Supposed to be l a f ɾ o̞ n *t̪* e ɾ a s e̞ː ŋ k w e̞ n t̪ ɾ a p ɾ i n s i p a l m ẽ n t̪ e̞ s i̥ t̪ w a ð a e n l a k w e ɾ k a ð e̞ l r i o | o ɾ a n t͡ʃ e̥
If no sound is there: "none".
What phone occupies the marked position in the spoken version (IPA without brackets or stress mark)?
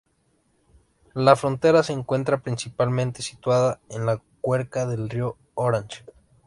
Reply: t̪